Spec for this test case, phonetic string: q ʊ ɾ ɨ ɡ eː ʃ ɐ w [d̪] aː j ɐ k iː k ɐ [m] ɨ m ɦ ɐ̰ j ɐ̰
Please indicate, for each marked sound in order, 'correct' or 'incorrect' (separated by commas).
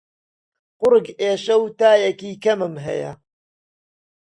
incorrect, correct